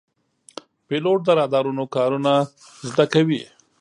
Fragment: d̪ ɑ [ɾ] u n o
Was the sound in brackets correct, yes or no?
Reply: yes